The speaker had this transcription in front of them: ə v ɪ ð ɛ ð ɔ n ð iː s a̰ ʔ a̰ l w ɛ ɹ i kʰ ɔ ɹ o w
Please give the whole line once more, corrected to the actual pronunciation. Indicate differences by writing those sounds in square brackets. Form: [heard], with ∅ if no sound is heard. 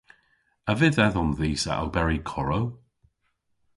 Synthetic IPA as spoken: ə v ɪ ð ɛ ð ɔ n ð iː s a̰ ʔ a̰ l [b] ɛ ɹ i kʰ ɔ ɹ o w